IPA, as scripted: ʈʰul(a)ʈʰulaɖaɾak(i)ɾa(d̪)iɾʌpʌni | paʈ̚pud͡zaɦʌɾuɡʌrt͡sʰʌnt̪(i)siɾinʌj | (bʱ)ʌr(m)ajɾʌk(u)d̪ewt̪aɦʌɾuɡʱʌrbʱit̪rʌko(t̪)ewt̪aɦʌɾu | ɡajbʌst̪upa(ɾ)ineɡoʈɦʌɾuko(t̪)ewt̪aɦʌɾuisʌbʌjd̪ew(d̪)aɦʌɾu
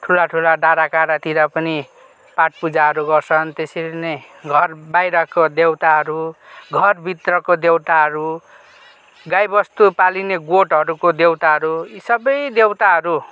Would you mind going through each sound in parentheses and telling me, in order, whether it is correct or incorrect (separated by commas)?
correct, incorrect, incorrect, incorrect, incorrect, incorrect, incorrect, incorrect, incorrect, incorrect, incorrect